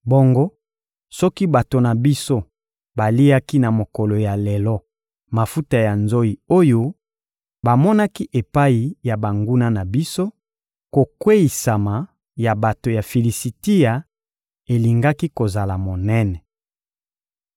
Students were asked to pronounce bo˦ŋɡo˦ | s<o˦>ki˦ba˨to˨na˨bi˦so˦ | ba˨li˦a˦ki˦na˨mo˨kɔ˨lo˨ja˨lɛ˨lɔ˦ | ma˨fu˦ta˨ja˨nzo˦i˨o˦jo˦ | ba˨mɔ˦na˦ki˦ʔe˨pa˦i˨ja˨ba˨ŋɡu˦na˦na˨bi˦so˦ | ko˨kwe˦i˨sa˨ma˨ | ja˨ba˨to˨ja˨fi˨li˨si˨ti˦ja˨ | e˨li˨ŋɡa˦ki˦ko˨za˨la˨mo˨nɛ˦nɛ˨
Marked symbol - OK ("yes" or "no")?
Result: no